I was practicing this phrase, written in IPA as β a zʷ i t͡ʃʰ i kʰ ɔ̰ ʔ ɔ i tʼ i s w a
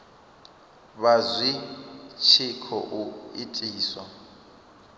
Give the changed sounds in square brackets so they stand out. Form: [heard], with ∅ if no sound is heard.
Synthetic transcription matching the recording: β a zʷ i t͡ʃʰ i kʰ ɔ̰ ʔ [u] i tʼ [iː] s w a